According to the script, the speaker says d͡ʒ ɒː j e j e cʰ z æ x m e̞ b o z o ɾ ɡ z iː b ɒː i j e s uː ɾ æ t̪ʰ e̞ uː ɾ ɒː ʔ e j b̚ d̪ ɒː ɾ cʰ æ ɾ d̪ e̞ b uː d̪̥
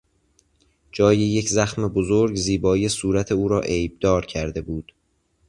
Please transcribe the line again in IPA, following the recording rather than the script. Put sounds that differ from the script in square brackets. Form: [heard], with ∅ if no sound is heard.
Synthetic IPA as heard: d͡ʒ ɒː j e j e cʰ z æ x m e̞ b o z o ɾ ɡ z iː b ɒː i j e s uː ɾ æ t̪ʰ e̞ uː ɾ ɒː ʔ e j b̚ d̪ ɒː ɾ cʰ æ ɾ d̪ e̞ b uː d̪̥